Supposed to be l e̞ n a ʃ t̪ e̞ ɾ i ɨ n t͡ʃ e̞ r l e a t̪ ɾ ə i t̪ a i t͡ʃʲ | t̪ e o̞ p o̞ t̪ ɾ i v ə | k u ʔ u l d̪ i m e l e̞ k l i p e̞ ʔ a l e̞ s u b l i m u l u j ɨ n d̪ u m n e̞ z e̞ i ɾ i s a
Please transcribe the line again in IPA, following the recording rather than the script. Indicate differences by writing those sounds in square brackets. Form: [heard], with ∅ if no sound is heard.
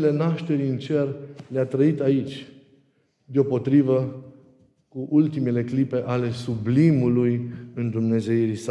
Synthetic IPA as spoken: l e̞ n a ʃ t̪ e̞ ɾ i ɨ n t͡ʃ e̞ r l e a t̪ ɾ ə i t̪ a i t͡ʃʲ | [d̪] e o̞ p o̞ t̪ ɾ i v ə | k u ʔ u l [t̪] i m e l e̞ k l i p e̞ ʔ a l e̞ s u b l i m u l u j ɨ n d̪ u m n e̞ z e̞ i ɾ i s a